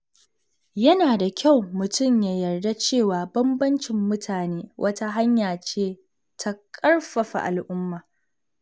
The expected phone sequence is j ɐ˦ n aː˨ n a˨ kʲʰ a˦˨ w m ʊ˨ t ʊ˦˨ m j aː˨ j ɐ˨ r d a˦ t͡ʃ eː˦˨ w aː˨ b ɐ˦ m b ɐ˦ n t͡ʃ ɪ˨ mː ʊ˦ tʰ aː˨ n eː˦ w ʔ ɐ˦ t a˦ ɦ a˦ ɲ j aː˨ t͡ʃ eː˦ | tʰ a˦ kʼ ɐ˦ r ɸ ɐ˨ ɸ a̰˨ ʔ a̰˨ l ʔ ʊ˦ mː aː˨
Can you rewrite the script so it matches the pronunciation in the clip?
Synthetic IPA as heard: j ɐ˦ n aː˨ d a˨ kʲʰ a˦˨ w m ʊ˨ t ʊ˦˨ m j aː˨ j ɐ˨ r d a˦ t͡ʃ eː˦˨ w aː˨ b ɐ˦ m b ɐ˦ n t͡ʃ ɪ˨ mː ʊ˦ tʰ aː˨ n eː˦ w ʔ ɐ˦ t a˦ ɦ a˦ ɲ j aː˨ t͡ʃ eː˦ | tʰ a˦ kʼ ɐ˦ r ɸ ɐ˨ ɸ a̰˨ ʔ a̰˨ l ʔ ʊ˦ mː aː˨